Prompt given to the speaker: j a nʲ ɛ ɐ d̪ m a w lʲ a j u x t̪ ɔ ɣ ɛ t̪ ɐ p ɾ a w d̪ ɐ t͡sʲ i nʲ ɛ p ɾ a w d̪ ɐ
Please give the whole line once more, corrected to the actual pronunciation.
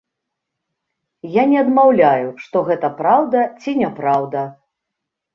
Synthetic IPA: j a nʲ ɛ ɐ d̪ m a w lʲ a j u ʂ t̪ ɔ ɣ ɛ t̪ ɐ p ɾ a w d̪ ɐ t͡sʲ i nʲ ɛ p ɾ a w d̪ ɐ